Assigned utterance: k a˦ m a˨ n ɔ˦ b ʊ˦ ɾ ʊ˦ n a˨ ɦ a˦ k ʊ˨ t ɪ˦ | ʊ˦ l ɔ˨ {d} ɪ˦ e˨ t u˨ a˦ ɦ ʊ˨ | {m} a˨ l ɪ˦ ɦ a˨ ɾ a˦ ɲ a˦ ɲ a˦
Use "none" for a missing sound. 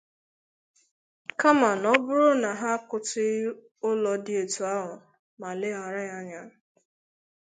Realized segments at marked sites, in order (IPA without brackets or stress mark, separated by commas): d, m